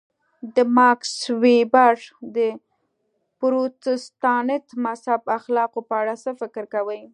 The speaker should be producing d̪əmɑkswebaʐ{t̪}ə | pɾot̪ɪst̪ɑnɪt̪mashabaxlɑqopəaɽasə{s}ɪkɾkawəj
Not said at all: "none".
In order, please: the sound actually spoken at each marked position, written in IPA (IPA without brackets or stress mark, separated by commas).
d̪, f